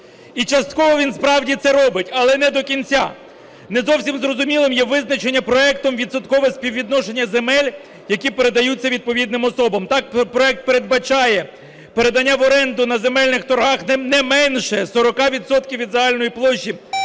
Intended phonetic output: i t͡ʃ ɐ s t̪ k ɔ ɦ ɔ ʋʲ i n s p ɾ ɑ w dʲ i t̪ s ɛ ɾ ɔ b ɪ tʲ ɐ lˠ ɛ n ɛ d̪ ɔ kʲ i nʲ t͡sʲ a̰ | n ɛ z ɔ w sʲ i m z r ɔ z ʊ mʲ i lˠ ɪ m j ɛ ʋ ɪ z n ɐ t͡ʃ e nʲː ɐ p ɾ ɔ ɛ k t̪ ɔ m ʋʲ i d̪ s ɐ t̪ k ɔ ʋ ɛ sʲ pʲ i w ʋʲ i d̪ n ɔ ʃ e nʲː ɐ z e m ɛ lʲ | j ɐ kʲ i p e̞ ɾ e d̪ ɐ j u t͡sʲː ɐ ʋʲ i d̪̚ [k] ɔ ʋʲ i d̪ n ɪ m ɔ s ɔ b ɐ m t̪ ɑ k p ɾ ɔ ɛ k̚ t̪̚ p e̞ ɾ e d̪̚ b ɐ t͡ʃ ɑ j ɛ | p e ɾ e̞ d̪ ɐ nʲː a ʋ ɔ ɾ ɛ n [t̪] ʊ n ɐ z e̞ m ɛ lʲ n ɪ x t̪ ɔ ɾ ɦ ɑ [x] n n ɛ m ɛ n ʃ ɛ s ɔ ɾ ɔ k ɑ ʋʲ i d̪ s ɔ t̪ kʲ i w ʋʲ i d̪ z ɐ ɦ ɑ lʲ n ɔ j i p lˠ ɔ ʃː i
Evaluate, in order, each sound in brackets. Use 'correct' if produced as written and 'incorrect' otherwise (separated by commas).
incorrect, incorrect, correct